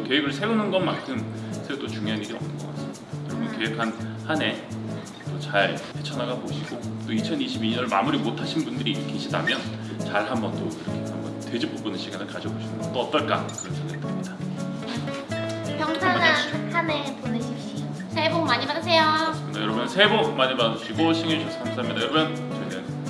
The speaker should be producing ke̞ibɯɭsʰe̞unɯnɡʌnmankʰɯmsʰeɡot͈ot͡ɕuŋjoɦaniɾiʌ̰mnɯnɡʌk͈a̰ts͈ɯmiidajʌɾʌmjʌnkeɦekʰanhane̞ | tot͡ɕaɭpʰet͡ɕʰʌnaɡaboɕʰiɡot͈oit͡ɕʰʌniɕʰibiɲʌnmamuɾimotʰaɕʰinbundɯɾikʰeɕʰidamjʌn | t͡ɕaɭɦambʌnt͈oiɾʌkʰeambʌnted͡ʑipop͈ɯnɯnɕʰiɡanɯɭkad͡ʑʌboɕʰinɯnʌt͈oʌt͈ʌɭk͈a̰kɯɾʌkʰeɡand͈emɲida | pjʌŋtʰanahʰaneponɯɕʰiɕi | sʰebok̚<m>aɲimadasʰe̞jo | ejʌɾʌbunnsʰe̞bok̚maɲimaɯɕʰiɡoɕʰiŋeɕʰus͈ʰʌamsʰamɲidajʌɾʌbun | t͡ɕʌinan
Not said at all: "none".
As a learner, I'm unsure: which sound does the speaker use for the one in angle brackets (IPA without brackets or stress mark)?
m